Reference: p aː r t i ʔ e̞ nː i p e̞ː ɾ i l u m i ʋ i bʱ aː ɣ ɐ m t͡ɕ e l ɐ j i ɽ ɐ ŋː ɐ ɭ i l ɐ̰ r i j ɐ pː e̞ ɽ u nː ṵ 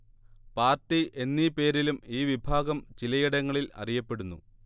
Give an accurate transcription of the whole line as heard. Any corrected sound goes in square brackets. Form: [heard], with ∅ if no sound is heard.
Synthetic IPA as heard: p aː r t i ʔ e̞ nː i p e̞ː ɾ i l u m [iː] ʋ i bʱ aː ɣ ɐ m t͡ɕ [i] l ɐ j i ɽ ɐ ŋː ɐ ɭ i l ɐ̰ r i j ɐ pː e̞ ɽ u nː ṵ